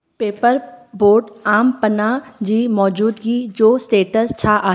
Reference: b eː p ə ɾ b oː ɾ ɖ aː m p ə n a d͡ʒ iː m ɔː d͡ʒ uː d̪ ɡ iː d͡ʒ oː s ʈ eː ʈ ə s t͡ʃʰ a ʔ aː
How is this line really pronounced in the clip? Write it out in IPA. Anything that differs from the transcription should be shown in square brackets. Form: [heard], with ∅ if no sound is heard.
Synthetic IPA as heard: [p] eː p ə ɾ b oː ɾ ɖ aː m p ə n a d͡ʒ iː m ɔː d͡ʒ uː d̪ ɡ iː d͡ʒ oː s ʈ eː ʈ ə s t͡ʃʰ a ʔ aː